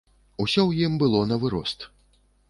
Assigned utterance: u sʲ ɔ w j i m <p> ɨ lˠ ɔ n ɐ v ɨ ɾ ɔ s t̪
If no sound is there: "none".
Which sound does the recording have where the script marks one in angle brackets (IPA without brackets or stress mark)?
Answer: b